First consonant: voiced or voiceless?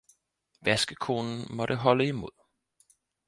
voiced